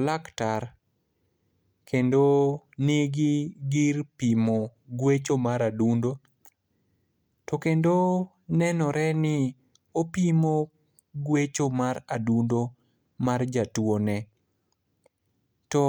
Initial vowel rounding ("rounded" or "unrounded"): unrounded